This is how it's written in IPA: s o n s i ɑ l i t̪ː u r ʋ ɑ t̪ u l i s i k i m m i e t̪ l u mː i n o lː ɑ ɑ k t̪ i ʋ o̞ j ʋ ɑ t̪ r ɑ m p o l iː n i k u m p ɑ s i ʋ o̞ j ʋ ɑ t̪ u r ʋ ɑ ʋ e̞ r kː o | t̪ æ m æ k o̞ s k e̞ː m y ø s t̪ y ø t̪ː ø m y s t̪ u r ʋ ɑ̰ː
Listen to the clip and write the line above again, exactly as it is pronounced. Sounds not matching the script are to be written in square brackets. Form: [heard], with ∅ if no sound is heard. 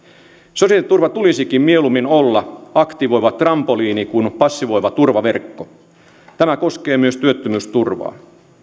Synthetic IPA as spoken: s o [∅] s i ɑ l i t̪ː u r ʋ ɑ t̪ u l i s i k i m m i e [∅] l u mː i n o lː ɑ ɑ k t̪ i ʋ o̞ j ʋ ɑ t̪ r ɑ m p o l iː n i k u [n] p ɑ [sː] i ʋ o̞ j ʋ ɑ t̪ u r ʋ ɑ ʋ e̞ r kː o | t̪ æ m æ k o̞ s k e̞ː m y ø s t̪ y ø t̪ː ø m y s t̪ u r ʋ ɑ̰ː